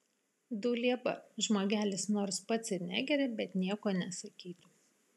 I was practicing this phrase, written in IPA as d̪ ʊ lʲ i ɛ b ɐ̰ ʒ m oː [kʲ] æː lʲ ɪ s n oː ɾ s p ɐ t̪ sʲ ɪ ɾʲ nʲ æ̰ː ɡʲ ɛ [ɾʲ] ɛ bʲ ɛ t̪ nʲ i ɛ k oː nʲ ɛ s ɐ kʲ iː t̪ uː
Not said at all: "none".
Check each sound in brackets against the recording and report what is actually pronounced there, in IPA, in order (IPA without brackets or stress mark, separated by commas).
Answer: ɡʲ, ɾʲ